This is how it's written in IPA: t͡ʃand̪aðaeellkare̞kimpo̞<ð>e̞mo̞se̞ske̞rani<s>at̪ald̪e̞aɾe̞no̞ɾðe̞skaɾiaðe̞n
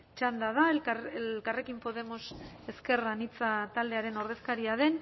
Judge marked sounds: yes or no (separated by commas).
yes, no